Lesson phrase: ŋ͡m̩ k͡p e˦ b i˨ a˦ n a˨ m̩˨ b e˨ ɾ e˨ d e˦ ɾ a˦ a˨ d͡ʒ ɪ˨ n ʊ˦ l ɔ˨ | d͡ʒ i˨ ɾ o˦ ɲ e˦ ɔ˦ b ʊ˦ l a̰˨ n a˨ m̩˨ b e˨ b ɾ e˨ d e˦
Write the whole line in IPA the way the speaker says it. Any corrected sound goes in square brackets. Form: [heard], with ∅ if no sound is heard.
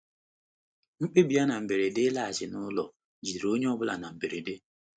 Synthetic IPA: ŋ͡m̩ k͡p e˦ b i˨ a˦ n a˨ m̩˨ b e˨ ɾ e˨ d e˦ [l] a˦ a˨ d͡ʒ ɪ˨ n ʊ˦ l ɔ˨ | d͡ʒ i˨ ɾ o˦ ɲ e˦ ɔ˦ b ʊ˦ l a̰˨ n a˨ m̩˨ b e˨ [∅] ɾ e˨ d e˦

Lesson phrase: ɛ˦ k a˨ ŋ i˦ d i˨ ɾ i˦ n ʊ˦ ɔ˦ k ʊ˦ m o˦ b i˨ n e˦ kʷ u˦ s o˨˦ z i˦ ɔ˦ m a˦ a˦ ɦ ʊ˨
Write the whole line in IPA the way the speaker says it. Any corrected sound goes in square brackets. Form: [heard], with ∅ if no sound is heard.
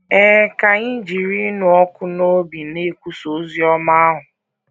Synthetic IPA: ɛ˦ k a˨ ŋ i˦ [d͡ʒ] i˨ ɾ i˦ n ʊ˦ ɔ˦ k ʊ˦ [n] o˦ b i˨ n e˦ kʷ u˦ s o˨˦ z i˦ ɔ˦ m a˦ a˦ ɦ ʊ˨

